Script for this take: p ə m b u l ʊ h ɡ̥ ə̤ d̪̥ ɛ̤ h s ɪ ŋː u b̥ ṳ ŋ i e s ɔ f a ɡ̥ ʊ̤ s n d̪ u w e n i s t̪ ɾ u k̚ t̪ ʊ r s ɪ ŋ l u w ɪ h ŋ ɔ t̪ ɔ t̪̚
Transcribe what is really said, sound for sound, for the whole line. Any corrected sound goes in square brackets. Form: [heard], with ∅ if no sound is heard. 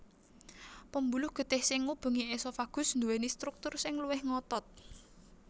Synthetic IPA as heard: p ə m b u l ʊ h ɡ̥ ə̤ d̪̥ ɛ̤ h s ɪ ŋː u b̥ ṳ ŋ i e s ɔ f a ɡ̥ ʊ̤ s n d̪ u w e n i s t̪ ɾ u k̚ t̪ ʊ r s ɪ ŋ l u w ɪ h ŋ ɔ t̪ ɔ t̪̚